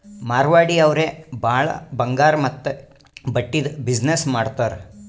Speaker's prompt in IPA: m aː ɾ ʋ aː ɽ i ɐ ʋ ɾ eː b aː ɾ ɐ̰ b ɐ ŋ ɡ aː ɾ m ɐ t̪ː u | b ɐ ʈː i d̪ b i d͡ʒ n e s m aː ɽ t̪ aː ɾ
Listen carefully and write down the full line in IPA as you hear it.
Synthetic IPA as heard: m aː ɾ ʋ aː ɽ i ɐ ʋ ɾ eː b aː ɭ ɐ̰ b ɐ ŋ ɡ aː ɾ m ɐ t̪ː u | b ɐ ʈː i d̪ b i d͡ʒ n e s m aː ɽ t̪ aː ɾ